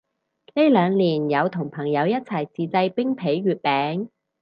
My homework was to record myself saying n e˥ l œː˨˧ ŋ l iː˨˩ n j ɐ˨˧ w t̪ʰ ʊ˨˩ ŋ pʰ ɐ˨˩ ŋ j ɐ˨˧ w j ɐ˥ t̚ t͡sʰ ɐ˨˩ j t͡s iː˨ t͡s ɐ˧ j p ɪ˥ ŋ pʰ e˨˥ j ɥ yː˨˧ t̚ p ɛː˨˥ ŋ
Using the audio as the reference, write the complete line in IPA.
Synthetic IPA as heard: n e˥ l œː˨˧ ŋ l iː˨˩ n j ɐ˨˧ w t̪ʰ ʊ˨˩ ŋ pʰ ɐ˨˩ ŋ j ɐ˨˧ w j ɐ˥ t̚ t͡sʰ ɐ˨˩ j t͡s iː˨ t͡s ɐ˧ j p ɪ˥ ŋ pʰ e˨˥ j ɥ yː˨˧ t̚ p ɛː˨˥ ŋ

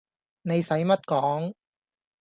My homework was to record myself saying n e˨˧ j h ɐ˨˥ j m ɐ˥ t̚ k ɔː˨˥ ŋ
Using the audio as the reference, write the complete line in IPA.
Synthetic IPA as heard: n e˨˧ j s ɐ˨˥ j m ɐ˥ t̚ k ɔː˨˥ ŋ

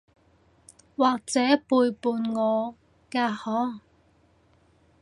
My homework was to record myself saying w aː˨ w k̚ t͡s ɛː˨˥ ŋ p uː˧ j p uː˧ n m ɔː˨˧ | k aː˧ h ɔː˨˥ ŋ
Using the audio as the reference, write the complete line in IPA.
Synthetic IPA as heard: w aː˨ k̚ t͡s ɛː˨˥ p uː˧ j p uː˧ n ŋ ɔː˨˧ | k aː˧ h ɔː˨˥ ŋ

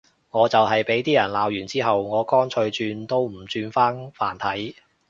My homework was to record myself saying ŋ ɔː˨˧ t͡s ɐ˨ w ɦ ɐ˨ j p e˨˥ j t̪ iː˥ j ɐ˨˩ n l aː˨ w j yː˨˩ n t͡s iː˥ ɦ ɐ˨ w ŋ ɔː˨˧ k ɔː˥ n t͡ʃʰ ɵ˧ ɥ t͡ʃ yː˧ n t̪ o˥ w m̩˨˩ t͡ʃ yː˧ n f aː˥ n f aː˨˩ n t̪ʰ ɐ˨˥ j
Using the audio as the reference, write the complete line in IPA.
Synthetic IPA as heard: ŋ ɔː˨˧ t͡s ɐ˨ w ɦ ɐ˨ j p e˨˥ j t̪ iː˥ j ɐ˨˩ n l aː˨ w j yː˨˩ n t͡s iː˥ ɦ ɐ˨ w ŋ ɔː˨˧ k ɔː˥ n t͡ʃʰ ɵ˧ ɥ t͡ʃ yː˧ n t̪ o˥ w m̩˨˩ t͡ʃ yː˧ n f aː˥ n f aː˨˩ n t̪ʰ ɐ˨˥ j

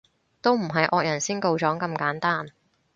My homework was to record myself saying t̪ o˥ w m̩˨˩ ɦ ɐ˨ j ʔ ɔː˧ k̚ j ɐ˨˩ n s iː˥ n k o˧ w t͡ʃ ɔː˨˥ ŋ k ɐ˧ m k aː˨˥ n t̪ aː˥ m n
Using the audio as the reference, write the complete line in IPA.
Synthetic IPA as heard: t̪ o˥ w m̩˨˩ ɦ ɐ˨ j ʔ ɔː˧ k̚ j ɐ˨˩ n s iː˥ n k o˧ w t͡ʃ ɔː˨˥ ŋ k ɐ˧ m k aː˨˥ n t̪ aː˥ n

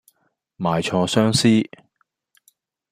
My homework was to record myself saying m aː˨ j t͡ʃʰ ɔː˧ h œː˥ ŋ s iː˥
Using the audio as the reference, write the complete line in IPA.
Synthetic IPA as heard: m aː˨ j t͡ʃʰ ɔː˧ s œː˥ ŋ s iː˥

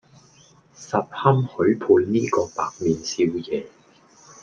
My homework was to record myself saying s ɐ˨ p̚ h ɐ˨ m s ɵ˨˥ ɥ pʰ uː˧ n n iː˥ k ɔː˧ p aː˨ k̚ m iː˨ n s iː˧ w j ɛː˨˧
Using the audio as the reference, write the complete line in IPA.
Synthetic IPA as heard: s ɐ˨ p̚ h ɐ˥ m h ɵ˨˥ ɥ pʰ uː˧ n n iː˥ k ɔː˧ p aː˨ k̚ m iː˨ n s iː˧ w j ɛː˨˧

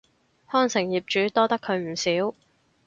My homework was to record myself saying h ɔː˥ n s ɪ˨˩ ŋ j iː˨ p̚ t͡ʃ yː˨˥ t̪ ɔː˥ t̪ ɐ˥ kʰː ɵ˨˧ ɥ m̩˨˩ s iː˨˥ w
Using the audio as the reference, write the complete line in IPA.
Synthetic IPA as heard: h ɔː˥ n s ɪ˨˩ ŋ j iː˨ p̚ t͡ʃ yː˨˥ t̪ ɔː˥ t̪ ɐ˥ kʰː ɵ˨˧ ɥ m̩˨˩ s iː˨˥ w

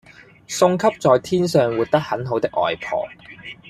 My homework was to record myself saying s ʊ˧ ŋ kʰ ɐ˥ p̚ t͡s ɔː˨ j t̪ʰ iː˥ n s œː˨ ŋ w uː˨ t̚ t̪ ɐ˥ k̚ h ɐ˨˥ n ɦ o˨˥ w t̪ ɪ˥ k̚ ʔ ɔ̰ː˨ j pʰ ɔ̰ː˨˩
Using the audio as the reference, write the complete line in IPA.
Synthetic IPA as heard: s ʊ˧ ŋ kʰ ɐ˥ p̚ t͡s ɔː˨ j t̪ʰ iː˥ n s œː˨ ŋ w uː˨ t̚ t̪ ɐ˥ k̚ h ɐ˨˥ n ɦ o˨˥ w t̪ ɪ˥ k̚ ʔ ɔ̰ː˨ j pʰ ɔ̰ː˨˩

